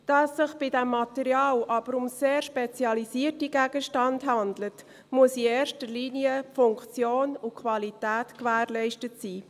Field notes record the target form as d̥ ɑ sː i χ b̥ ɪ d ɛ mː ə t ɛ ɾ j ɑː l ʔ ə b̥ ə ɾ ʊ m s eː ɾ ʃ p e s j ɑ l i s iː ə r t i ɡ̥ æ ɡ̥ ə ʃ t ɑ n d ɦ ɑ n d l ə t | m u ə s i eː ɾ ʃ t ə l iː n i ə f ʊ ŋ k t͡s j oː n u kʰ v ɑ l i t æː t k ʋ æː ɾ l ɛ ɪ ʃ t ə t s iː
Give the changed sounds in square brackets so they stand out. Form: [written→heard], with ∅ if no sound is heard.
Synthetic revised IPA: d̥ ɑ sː [i→ɪ] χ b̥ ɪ d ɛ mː [ə→ɑ] t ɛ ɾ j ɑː l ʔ [ə→ɑ] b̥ ə ɾ ʊ m s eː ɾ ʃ p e [s→t͡s] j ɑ l i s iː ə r t i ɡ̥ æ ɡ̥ ə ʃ t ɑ n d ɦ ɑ n d l ə t | m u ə s i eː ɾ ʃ t ə l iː n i ə f ʊ ŋ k t͡s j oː n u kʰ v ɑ l i t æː t k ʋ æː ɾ l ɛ ɪ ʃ t ə t s iː

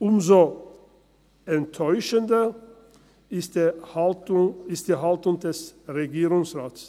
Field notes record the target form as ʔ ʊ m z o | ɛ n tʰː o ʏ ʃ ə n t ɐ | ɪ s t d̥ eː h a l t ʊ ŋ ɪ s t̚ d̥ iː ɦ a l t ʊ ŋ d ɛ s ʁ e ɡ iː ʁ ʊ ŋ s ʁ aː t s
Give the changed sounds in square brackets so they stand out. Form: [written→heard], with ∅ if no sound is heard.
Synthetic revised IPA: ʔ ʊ m z o | ɛ n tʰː [o→ɔ] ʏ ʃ ə n [t→d] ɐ | ɪ s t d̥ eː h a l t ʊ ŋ ɪ s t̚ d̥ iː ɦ a l t ʊ ŋ d ɛ s ʁ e ɡ iː ʁ ʊ ŋ s ʁ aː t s

